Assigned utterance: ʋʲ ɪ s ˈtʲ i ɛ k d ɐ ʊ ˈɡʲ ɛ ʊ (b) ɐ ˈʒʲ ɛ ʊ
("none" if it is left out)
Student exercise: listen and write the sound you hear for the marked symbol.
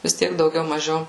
m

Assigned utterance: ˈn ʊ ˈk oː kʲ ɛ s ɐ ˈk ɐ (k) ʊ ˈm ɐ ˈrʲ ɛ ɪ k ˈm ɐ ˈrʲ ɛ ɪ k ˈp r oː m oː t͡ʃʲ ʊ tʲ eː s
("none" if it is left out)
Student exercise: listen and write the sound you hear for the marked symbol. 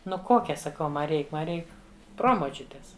none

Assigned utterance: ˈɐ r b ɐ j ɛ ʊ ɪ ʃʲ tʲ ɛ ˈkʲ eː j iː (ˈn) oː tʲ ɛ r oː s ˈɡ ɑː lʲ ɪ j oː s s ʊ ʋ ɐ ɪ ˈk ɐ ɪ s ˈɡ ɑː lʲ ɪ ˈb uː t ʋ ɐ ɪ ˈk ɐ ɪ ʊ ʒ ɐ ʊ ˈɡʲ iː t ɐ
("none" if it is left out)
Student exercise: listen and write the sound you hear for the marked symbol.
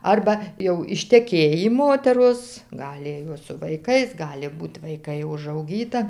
m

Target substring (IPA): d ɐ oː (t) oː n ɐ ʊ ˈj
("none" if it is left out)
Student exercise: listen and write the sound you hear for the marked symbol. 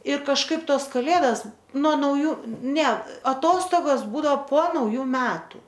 p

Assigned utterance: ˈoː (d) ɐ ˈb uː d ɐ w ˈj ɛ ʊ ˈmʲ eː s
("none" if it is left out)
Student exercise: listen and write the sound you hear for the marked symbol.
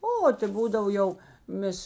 t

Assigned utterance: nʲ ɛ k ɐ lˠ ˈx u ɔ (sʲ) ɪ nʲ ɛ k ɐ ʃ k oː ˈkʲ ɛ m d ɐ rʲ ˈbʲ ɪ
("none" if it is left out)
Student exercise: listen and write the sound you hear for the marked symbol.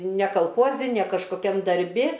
zʲ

